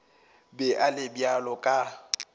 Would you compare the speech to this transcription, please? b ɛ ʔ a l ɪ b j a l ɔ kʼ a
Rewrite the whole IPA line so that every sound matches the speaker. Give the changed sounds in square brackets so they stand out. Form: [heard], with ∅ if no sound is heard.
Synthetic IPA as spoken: b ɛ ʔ a l ɪ b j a l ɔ kʼ a